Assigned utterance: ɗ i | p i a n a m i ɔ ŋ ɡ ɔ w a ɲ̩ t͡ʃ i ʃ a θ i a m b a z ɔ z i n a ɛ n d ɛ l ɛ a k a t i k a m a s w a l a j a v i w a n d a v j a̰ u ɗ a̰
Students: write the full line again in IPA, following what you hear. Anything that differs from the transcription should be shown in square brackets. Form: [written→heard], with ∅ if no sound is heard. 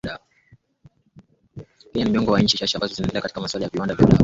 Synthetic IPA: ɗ [i→a] | p i a n [a→i] m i ɔ ŋ ɡ ɔ w a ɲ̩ t͡ʃ i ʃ a [θ→ʃ] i a m b a z ɔ z i n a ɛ n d ɛ l ɛ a k a t i k a m a s w a l a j a v i w a n d a v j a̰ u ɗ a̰

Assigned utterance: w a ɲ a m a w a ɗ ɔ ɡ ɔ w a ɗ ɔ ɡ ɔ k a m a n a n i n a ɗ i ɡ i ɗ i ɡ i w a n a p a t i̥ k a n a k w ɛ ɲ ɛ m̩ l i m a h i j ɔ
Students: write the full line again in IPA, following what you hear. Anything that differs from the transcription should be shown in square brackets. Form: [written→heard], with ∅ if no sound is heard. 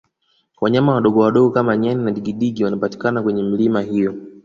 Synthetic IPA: w a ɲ a m a w a ɗ ɔ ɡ ɔ w a ɗ ɔ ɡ ɔ k a m a [n→ɲ] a n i n a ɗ i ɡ i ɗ i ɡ i w a n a p a t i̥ k a n a k w ɛ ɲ ɛ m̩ l i m a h i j ɔ

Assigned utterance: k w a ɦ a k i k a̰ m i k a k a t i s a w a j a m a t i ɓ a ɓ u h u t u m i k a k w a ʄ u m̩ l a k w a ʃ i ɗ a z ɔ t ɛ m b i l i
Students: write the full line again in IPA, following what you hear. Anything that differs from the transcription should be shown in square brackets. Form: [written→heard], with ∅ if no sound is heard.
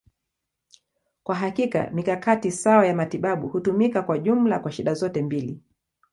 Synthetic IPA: k w a ɦ a k i k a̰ m i k a k a t i s a w a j a m a t i ɓ a ɓ u h u t u m i k a k w a ʄ u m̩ l a k w a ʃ i ɗ a z ɔ t ɛ m b i l i

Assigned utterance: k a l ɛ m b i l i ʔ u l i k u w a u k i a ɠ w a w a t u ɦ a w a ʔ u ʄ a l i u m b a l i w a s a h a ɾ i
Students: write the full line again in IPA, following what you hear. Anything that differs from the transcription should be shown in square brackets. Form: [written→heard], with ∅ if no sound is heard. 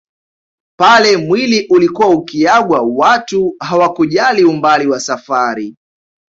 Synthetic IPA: [k→p] a l ɛ m [b→w] i l i ʔ u l i k u w a u k i a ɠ w a w a t u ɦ a w a [ʔ→k] u ʄ a l i u m b a l i w a s a [h→f] a ɾ i

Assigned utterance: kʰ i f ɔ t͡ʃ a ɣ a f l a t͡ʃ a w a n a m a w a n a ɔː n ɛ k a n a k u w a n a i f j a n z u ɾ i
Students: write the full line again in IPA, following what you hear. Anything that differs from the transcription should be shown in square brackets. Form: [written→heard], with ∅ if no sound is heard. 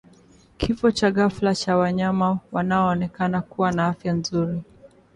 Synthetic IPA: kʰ i f ɔ t͡ʃ a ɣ a f l a t͡ʃ a w a [n→ɲ] a m a w a n a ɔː n ɛ k a n a k u w a n a [i→a] f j a n z u ɾ i

